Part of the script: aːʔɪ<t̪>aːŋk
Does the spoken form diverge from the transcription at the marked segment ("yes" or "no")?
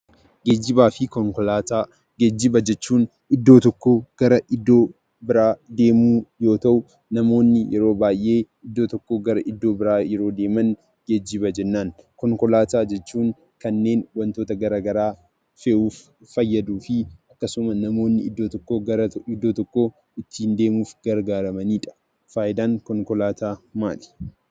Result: yes